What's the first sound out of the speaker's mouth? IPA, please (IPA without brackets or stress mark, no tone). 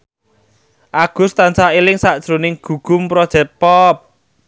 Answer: ʔ